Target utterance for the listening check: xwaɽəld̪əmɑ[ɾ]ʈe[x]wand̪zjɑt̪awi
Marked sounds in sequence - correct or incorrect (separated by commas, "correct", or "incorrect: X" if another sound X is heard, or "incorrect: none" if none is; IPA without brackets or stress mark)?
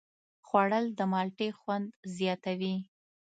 incorrect: l, correct